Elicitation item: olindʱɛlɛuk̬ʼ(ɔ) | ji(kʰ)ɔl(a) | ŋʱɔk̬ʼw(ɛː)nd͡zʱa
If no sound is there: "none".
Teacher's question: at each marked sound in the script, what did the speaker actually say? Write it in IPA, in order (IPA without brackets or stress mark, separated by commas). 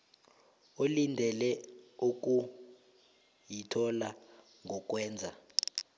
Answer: u, tʰ, a, ɛː